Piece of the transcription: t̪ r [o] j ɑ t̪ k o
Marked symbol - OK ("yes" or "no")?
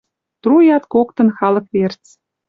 no